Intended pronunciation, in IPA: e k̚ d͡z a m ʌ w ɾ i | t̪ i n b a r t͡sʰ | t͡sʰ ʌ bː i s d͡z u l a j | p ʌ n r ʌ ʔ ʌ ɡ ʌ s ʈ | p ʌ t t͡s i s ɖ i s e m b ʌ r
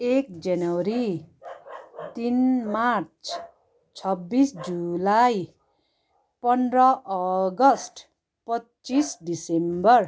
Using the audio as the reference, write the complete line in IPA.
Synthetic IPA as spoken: e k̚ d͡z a n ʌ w ɾ i | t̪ i n m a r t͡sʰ | t͡sʰ ʌ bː i s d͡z u l a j | p ʌ n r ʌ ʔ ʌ ɡ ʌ s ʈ | p ʌ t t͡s i s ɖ i s e m b ʌ r